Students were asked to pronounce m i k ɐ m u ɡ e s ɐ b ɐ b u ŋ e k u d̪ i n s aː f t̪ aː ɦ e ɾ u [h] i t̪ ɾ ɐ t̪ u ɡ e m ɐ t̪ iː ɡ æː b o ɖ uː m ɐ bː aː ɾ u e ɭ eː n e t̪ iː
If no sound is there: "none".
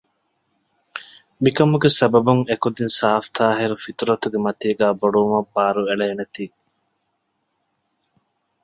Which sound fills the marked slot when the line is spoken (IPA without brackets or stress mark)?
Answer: f